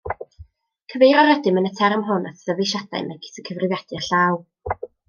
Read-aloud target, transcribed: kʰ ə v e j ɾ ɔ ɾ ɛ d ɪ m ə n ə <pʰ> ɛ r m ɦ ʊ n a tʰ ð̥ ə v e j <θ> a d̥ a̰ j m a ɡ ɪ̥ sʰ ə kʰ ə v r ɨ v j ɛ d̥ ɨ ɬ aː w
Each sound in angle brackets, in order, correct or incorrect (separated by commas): incorrect, incorrect